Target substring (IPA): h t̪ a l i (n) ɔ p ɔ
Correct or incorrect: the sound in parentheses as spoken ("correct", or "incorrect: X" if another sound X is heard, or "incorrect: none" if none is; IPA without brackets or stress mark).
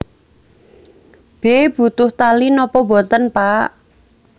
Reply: correct